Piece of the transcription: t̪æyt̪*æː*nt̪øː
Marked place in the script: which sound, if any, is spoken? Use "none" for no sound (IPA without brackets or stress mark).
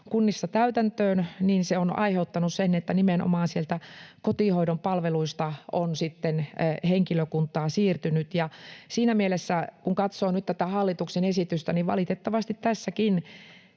æ